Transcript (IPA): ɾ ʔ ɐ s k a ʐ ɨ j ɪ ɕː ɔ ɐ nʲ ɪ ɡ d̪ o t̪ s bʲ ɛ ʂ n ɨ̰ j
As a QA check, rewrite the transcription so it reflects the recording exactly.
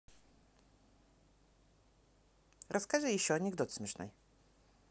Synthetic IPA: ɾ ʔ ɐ s k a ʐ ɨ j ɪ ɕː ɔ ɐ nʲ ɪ ɡ d̪ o t̪ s mʲ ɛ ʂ n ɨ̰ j

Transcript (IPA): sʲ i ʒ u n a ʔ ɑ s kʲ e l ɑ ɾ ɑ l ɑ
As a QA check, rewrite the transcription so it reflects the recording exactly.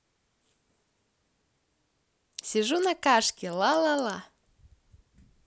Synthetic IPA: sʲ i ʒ u n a k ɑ ʃ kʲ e l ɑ l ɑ l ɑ

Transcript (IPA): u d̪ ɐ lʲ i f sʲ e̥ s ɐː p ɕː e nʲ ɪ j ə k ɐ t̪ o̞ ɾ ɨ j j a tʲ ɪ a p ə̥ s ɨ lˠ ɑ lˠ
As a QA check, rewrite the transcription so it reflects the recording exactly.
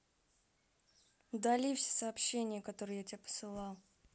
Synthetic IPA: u d̪ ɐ lʲ i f sʲ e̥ s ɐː p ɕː e nʲ ɪ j ə k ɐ t̪ o̞ ɾ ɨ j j a tʲ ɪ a p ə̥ s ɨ lˠ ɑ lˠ

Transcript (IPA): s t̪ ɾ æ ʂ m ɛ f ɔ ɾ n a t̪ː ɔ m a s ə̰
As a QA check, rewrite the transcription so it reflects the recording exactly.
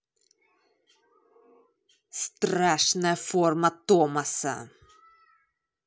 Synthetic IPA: s t̪ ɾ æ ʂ n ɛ f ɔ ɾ m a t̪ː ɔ m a s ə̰

